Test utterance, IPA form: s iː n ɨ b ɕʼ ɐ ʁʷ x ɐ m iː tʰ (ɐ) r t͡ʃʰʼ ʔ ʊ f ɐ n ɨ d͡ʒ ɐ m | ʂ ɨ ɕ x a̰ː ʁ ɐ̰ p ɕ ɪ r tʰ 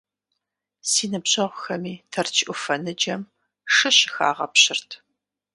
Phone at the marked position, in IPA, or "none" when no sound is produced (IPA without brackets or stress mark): ɐ